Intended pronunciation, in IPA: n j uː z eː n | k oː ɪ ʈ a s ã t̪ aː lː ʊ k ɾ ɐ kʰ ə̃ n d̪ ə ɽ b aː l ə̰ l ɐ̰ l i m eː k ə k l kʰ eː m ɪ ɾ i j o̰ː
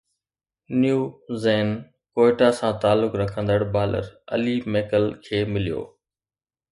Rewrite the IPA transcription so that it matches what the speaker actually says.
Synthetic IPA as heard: n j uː z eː n | k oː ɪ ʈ a s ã t̪ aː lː ʊ k ɾ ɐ kʰ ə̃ n d̪ ə ɽ b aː l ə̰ ɾ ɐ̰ l i m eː k ə l kʰ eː m ɪ l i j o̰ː